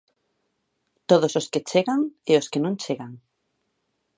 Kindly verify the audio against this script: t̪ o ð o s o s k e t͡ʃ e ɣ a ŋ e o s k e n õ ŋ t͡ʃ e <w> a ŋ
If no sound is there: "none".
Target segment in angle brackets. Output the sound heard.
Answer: ɣ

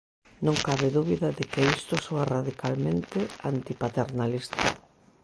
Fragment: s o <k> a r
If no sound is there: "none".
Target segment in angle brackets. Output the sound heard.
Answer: none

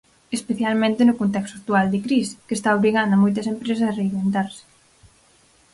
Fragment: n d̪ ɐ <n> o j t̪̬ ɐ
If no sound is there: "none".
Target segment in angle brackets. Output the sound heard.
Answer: m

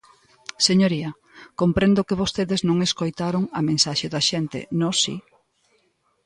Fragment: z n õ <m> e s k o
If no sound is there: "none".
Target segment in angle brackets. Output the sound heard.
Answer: ŋ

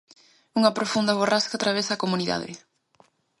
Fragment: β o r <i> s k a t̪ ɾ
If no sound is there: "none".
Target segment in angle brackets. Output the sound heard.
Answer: a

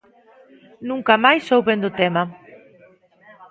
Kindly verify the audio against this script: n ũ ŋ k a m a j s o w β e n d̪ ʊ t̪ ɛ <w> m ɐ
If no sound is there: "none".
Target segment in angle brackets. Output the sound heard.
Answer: none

